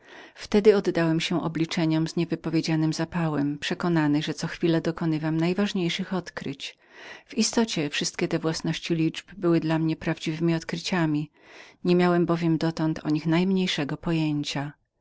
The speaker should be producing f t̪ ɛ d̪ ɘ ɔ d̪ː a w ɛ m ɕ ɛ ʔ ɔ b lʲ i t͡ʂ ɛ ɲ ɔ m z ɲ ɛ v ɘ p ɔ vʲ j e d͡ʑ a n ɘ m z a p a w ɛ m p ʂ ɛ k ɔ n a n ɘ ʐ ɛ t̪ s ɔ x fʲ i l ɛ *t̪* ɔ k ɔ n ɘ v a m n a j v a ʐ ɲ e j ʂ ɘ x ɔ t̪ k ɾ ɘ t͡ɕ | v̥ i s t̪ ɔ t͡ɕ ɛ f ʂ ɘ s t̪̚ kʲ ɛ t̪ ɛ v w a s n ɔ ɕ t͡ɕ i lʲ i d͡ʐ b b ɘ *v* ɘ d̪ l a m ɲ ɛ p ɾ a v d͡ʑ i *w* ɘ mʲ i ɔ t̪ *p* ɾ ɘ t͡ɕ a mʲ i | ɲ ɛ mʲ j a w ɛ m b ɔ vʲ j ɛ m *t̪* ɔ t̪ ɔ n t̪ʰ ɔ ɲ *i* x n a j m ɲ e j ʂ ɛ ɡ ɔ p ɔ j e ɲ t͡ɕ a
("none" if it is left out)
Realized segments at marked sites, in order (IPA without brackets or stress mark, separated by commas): d̪, w, v, k, d̪, i